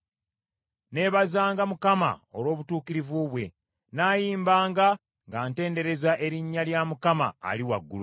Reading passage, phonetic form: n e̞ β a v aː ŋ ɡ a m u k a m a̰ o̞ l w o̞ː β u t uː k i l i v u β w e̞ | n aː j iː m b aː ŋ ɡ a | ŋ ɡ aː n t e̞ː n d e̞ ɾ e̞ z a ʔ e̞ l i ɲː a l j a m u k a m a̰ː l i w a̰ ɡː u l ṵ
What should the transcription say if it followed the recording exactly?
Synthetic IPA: n e̞ β a z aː ŋ ɡ a m u k a m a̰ o̞ l w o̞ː β u t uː k i ɾ i v u β w e̞ | n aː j iː m b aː ŋ ɡ a | ŋ ɡ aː n t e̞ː n d e̞ ɾ e̞ z a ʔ e̞ ɾ i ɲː a l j a m u k a m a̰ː l i w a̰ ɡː u l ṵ